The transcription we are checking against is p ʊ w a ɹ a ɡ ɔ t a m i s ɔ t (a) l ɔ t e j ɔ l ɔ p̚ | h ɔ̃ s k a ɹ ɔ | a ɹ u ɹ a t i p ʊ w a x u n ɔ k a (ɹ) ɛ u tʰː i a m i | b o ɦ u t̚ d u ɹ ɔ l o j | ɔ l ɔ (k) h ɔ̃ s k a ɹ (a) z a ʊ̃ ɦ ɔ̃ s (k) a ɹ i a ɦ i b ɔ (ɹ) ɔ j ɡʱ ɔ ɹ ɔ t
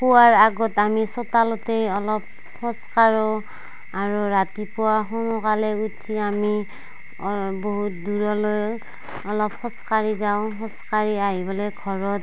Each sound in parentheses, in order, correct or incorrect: correct, incorrect, incorrect, incorrect, correct, incorrect

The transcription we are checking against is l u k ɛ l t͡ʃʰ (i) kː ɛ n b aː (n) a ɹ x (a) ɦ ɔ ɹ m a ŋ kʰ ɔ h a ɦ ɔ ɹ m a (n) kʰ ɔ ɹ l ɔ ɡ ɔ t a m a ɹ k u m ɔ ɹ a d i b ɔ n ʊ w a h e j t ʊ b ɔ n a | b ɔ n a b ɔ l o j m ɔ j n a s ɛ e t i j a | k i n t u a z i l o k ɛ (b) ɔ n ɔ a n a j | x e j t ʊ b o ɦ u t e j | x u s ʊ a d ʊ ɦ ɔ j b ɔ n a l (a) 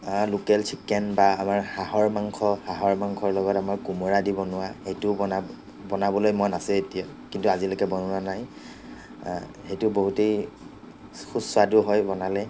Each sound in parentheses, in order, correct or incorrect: correct, incorrect, correct, incorrect, correct, incorrect

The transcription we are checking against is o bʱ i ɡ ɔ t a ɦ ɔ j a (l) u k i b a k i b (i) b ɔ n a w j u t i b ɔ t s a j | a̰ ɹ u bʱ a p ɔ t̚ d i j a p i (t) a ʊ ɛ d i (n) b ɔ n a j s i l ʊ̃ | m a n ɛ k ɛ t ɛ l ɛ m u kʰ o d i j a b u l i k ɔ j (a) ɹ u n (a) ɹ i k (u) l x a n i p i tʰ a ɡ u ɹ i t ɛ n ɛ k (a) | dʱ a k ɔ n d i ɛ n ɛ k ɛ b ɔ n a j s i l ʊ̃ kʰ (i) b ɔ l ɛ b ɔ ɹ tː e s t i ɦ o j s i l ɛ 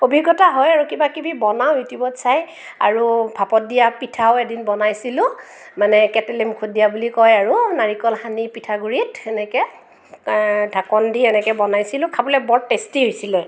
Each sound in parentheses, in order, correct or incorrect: incorrect, correct, incorrect, correct, correct, correct, incorrect, incorrect, incorrect

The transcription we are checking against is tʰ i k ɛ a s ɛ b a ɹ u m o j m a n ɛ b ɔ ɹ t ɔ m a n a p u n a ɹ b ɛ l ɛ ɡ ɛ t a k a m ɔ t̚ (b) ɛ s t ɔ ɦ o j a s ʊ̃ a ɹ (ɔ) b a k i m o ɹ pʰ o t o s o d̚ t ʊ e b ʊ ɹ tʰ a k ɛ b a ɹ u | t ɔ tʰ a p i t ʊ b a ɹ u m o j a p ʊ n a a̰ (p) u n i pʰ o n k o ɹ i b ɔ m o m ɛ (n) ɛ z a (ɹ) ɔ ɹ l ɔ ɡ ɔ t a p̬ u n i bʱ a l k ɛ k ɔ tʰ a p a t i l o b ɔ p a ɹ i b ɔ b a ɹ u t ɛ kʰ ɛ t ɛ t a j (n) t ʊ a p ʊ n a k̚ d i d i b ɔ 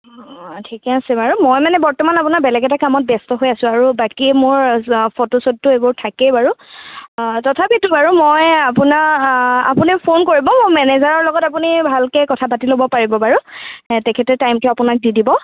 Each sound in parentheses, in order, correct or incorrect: correct, incorrect, correct, correct, correct, incorrect

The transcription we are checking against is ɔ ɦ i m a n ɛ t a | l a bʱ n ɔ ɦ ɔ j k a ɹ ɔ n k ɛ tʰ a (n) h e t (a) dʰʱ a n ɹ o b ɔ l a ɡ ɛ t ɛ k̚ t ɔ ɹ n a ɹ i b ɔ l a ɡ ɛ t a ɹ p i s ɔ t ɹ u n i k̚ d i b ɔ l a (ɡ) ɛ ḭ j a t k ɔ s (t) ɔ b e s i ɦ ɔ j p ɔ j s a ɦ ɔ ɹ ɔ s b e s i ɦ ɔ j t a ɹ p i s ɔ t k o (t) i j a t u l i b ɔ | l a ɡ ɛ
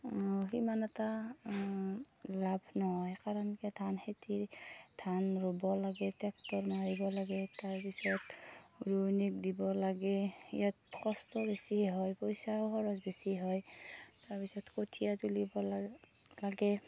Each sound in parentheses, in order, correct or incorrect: correct, incorrect, correct, correct, incorrect

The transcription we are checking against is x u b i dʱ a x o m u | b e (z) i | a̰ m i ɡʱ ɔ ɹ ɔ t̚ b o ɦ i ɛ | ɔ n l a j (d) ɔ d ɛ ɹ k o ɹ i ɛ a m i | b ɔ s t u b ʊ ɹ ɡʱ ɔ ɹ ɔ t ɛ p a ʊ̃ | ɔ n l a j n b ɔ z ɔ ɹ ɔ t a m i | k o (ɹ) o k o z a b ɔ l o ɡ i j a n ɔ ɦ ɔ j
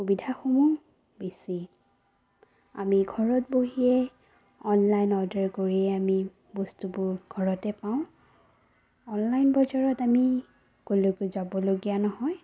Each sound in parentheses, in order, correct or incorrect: incorrect, incorrect, incorrect

